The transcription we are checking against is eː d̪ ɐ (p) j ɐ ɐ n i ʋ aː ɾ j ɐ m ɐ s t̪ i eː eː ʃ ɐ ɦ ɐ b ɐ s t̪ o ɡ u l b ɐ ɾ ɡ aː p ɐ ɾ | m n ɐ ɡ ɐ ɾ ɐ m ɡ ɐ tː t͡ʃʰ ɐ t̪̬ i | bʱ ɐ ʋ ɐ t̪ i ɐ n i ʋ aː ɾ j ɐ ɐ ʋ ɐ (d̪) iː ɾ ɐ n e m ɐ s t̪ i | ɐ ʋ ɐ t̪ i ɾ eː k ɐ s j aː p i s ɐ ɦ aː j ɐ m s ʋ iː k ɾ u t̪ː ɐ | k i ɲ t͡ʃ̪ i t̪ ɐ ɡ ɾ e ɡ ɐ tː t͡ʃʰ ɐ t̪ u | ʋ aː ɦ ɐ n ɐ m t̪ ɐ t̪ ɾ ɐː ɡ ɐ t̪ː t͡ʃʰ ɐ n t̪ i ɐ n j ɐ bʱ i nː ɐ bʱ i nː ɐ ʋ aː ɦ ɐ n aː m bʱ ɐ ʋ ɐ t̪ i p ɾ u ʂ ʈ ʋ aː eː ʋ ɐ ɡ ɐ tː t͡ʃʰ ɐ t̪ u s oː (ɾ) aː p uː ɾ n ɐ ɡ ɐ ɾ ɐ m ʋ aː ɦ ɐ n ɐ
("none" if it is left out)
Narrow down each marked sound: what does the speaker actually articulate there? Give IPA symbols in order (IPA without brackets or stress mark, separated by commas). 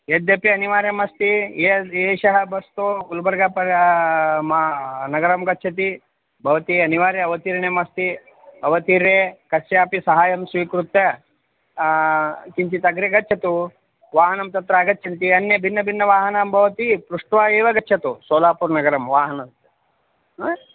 p, t̪, l